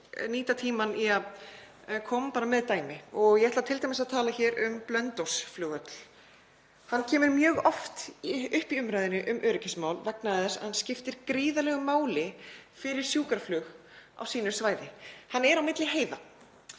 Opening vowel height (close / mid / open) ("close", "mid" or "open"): close